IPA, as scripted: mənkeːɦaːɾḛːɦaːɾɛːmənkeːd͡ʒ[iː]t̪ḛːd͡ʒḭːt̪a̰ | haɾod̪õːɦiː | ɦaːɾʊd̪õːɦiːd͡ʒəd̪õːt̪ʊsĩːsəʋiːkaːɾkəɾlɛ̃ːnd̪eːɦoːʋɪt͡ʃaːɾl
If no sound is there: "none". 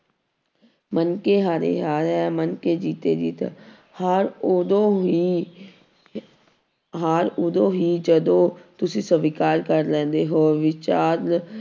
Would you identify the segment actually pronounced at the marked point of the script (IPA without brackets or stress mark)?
iː